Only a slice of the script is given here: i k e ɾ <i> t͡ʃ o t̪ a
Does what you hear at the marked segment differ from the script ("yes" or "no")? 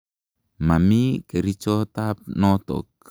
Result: no